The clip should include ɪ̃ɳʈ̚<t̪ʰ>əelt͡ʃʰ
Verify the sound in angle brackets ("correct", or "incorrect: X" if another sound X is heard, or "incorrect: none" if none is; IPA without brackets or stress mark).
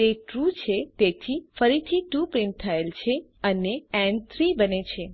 correct